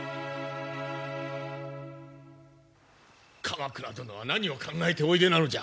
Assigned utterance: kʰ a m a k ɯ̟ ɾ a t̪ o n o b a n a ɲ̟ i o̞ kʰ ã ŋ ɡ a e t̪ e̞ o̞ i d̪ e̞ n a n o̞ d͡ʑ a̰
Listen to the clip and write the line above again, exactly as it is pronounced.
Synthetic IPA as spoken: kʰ a m a k ɯ̟ ɾ a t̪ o n o β a n a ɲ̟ i o̞ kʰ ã ŋ ɡ a e t̪ e̞ o̞ i d̪ e̞ n a n o̞ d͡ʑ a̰